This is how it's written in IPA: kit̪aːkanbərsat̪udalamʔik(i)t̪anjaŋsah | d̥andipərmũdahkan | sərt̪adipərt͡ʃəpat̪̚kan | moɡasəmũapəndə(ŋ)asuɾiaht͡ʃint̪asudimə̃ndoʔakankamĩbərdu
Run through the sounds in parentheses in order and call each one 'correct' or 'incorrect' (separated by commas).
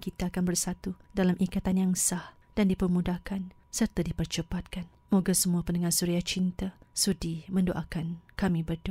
incorrect, correct